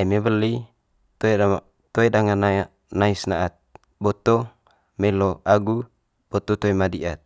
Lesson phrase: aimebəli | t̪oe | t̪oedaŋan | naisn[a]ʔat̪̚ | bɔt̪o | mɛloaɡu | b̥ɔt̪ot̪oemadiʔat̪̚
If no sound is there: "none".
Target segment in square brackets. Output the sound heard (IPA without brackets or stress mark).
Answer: a